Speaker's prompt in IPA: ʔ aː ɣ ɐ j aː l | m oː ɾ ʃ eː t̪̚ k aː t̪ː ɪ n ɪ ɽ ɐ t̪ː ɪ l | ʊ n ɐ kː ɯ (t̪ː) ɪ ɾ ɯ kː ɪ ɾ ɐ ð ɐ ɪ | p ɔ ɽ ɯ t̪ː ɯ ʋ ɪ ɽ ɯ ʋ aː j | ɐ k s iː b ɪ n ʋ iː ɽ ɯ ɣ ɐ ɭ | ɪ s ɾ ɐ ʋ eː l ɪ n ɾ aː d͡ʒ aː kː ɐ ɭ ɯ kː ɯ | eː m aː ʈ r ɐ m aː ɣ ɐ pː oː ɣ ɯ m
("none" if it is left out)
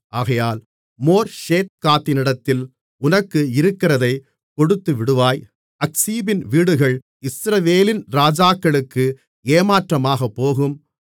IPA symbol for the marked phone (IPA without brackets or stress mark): none